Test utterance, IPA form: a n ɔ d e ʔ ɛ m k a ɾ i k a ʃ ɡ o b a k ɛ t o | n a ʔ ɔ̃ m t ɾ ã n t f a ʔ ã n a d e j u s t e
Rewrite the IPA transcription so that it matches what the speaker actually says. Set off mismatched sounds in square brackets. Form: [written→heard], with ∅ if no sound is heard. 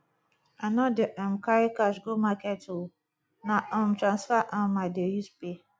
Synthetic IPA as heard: a n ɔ d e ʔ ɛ m k a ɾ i k a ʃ ɡ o [b→m] a k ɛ t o | n a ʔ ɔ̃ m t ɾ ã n [t→s] f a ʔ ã [n→m] a d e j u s [t→p] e